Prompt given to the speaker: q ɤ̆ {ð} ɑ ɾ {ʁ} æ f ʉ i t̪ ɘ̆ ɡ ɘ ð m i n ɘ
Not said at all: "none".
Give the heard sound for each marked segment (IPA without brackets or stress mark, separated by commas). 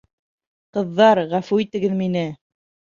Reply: ðː, ʁ